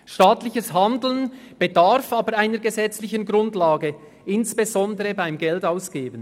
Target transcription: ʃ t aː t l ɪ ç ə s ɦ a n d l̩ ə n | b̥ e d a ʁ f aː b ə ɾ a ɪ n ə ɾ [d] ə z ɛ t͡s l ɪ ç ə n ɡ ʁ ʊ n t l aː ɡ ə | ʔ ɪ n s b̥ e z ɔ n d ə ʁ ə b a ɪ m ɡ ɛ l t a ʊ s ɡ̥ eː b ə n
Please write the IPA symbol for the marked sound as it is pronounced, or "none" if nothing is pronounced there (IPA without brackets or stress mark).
ɡ